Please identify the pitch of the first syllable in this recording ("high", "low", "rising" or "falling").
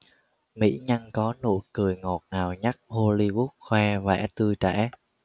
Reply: rising